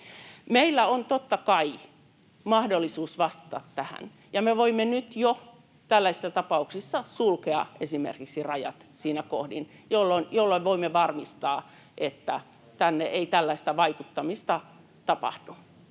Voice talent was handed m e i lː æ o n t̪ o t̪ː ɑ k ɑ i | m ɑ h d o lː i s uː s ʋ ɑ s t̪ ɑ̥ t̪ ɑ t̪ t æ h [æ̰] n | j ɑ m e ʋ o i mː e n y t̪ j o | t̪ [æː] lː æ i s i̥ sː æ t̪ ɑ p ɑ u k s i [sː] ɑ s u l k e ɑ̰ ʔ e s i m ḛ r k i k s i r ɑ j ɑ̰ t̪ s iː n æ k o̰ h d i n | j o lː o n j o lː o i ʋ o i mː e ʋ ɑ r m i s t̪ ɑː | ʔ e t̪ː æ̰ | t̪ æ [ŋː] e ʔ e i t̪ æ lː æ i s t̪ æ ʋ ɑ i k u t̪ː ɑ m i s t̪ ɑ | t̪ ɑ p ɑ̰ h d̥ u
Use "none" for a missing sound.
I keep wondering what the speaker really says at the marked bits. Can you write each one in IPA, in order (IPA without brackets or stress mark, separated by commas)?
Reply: æ̰, æ, sː, nː